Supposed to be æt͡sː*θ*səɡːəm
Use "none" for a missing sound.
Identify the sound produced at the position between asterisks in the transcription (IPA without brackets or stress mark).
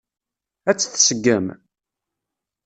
θ